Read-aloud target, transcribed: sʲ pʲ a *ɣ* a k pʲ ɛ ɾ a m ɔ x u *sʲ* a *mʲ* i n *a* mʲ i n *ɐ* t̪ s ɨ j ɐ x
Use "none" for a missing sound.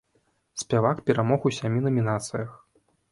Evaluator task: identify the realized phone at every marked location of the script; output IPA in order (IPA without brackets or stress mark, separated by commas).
v, sʲ, mʲ, ɐ, a